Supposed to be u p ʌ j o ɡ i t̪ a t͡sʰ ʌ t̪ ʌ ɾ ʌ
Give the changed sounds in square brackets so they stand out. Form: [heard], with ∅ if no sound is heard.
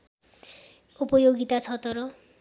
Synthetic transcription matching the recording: u p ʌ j o ɡ i t̪ a t͡sʰ ʌ t̪ ʌ ɾ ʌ